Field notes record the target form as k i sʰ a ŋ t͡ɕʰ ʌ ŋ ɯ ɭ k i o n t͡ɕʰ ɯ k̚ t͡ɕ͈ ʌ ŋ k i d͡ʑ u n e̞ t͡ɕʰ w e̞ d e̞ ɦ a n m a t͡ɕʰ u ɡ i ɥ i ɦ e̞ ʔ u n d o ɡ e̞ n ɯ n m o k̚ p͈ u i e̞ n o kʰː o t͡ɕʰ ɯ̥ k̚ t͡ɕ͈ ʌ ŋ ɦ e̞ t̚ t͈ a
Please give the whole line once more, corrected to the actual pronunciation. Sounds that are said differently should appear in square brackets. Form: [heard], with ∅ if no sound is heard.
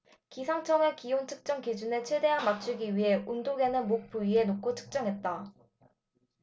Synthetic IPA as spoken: k i sʰ a ŋ t͡ɕʰ ʌ ŋ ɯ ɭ k i o n t͡ɕʰ ɯ k̚ t͡ɕ͈ ʌ ŋ k i d͡ʑ u n e̞ t͡ɕʰ w e̞ d e̞ ɦ a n m a t͡ɕʰ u ɡ i ɥ i ɦ e̞ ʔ u n d o ɡ e̞ n ɯ n m o k̚ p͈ u i e̞ n o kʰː o t͡ɕʰ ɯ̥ k̚ t͡ɕ͈ ʌ ŋ ɦ e̞ t̚ t͈ a